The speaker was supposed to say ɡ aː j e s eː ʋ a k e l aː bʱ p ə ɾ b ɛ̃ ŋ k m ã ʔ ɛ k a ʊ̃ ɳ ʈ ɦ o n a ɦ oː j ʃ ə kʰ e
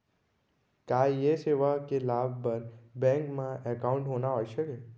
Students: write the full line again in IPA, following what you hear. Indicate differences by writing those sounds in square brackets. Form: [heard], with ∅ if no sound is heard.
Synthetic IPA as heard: [k] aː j e s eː ʋ a k e l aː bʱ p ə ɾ b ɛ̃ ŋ k m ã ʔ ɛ k a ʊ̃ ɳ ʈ ɦ o n a ɦ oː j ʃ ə [k] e